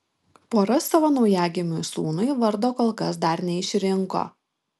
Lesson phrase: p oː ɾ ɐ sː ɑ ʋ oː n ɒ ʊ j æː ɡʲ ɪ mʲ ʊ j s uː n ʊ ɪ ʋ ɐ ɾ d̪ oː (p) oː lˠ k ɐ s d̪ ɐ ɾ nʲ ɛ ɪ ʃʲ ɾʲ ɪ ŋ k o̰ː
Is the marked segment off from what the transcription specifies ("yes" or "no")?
yes